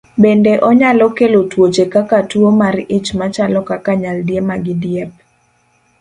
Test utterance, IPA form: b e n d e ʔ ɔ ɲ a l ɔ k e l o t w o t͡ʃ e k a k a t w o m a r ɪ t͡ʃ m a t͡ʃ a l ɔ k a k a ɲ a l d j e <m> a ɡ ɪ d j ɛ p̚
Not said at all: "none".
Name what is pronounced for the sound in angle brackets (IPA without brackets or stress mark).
m